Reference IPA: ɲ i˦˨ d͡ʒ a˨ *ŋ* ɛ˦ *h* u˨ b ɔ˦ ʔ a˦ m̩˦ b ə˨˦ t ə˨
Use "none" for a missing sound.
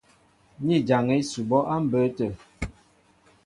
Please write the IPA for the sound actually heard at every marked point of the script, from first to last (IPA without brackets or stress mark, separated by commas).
ŋ, s